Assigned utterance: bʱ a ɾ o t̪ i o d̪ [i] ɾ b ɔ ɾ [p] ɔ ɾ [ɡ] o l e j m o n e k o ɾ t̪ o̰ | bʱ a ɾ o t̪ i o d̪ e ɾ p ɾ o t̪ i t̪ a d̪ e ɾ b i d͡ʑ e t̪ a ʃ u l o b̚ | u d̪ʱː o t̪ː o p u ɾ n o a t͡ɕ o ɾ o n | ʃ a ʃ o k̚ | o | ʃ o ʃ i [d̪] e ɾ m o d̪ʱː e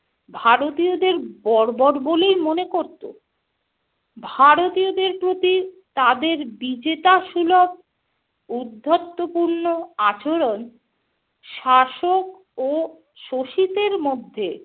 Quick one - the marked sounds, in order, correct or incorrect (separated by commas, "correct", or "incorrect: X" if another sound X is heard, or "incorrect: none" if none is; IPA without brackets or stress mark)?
incorrect: e, incorrect: b, incorrect: b, incorrect: t̪